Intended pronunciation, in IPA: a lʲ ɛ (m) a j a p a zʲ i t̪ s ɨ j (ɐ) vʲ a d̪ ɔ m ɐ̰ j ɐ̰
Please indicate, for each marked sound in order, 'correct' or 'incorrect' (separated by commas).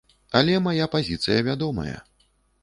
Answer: correct, correct